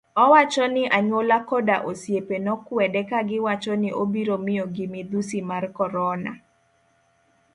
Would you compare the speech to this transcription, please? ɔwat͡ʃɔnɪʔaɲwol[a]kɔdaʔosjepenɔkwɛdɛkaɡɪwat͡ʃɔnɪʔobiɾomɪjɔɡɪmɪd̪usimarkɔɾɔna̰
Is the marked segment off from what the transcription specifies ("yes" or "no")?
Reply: no